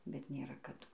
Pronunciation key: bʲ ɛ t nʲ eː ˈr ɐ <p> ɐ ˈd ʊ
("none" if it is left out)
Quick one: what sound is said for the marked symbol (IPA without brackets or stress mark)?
k